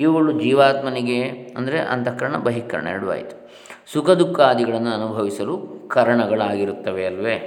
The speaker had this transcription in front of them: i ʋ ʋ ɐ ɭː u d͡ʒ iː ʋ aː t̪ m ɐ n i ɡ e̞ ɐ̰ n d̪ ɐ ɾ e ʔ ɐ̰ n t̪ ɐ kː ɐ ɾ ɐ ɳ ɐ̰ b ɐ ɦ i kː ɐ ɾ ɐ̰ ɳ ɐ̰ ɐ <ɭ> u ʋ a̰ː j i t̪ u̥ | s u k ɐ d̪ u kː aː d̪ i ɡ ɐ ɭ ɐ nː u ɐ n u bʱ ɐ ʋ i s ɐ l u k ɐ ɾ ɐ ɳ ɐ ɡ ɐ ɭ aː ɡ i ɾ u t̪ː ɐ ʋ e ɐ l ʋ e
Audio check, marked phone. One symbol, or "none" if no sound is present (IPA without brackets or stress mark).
ɽ